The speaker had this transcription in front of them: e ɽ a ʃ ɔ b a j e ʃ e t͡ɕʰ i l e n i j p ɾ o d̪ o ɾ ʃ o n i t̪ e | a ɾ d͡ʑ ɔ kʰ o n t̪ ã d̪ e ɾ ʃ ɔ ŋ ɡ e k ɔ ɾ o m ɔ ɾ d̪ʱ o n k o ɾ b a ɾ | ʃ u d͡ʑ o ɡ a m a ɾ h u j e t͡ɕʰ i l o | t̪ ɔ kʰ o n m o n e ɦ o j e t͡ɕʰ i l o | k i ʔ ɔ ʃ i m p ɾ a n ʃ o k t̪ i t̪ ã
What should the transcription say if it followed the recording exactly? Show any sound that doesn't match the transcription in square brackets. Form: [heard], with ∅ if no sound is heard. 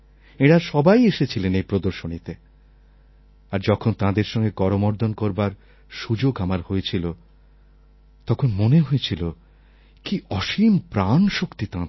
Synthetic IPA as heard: e ɽ a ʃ ɔ b a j e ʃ e t͡ɕʰ i l e n [e] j p ɾ o d̪ o ɾ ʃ o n i t̪ e | a ɾ d͡ʑ ɔ kʰ o n t̪ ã d̪ e ɾ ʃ ɔ ŋ ɡ e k ɔ ɾ o m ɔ ɾ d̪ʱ o n k o ɾ b a ɾ | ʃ u d͡ʑ o ɡ a m a ɾ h [o] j e t͡ɕʰ i l o | t̪ ɔ kʰ o n m o n e ɦ o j e t͡ɕʰ i l o | k i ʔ ɔ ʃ i m p ɾ a n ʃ o k t̪ i t̪ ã